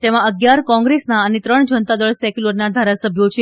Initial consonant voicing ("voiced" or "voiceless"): voiceless